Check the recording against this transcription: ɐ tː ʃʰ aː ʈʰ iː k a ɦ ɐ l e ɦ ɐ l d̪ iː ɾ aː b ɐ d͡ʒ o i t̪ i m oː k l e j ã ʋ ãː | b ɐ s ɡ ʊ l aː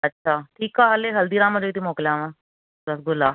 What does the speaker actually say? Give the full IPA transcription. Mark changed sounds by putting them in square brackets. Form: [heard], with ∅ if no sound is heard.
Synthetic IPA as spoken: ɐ tː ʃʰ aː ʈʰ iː k a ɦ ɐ l e ɦ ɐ l d̪ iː ɾ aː [m] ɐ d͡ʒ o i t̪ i m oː k l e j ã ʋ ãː | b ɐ s ɡ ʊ l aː

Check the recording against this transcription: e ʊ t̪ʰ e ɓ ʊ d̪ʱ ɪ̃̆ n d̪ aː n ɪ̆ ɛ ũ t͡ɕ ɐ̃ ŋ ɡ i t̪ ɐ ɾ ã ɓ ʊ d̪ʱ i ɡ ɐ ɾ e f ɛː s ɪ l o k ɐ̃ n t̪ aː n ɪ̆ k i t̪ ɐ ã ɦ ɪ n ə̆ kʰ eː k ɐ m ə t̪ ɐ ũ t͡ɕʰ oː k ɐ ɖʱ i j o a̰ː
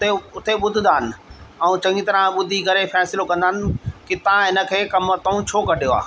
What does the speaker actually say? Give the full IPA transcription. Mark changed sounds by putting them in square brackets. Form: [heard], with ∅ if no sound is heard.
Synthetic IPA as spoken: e ʊ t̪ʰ e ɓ ʊ d̪ʱ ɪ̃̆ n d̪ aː n ɪ̆ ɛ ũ t͡ɕ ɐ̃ ŋ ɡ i t̪ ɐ ɾ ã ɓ ʊ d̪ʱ i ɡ ɐ ɾ e f ɛː s ɪ l o k ɐ̃ n [d̪] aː n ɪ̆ k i t̪ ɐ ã ɦ ɪ n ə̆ kʰ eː k ɐ m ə t̪ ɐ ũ t͡ɕʰ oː k ɐ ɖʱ i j o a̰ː

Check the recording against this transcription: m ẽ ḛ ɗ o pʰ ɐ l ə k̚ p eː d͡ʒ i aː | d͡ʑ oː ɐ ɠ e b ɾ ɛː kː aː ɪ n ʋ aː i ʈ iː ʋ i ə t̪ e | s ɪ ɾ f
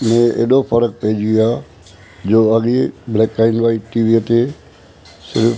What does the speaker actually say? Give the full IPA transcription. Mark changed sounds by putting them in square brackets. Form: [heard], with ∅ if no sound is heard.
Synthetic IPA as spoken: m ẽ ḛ ɗ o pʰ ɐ [ɾ] ə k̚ p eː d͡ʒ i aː | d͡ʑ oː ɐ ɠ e b [l] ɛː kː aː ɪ n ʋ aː i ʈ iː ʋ i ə t̪ e | s ɪ ɾ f

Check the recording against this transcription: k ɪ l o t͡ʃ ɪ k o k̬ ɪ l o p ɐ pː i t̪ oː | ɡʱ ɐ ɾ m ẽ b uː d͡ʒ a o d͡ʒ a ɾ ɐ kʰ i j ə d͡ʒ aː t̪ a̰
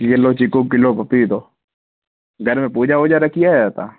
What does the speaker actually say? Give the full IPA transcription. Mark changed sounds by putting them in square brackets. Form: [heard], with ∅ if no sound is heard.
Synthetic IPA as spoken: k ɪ l o t͡ʃ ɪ k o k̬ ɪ l o p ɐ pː i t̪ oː | ɡʱ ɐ ɾ m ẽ [p] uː d͡ʒ a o d͡ʒ a ɾ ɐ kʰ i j [a] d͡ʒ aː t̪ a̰

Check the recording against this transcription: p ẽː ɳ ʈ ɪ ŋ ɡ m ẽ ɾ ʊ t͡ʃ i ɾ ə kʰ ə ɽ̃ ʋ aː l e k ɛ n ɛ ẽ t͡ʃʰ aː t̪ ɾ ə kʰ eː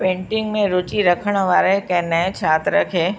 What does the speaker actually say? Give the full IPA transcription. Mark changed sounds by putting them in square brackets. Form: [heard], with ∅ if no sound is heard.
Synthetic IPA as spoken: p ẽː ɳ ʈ ɪ ŋ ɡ m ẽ ɾ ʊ t͡ʃ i ɾ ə kʰ ə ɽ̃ ʋ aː [ɾ] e k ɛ n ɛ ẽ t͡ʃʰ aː t̪ ɾ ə kʰ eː

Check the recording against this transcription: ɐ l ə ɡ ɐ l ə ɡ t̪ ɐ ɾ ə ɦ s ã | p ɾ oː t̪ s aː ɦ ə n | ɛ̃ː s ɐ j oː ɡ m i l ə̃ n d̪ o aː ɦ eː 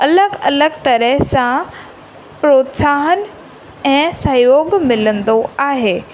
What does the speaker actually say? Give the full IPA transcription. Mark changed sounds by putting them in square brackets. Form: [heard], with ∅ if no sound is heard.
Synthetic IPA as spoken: ɐ l ə ɡ ɐ l ə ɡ t̪ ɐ ɾ ə ɦ s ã | p ɾ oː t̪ s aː ɦ ə n | ɛ̃ː s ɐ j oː ɡ m [ɪ] l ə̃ n d̪ o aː ɦ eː

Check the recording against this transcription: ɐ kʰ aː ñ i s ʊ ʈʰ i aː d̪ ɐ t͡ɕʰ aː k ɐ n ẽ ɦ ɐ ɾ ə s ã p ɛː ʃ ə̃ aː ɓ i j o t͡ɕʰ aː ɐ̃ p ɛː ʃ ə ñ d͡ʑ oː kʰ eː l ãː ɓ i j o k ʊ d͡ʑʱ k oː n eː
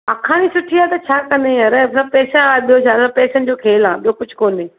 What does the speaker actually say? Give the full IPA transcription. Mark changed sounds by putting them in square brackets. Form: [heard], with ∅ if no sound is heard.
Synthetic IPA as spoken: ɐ kʰ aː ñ i s ʊ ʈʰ i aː [t̪] ɐ t͡ɕʰ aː k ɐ n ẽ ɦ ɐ ɾ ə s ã p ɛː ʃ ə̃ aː ɓ i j o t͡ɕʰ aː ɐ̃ p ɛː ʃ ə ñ d͡ʑ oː kʰ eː l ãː ɓ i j o k ʊ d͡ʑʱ k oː n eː

